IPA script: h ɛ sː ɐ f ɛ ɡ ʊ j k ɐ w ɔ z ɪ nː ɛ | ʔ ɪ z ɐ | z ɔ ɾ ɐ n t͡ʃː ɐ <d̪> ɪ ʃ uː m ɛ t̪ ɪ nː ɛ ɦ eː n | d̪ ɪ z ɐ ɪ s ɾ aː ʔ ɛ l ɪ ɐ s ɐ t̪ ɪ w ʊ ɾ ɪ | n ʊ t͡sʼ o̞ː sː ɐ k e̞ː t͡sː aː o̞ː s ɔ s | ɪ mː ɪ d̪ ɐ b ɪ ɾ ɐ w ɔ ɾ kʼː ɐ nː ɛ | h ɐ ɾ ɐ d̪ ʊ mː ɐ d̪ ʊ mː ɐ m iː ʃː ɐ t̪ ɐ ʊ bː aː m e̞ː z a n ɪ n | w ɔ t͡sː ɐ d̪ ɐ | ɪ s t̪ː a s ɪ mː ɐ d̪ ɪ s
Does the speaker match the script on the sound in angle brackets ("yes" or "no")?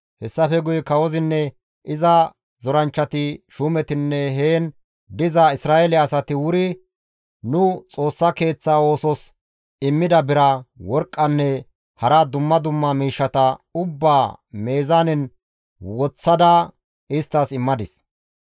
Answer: no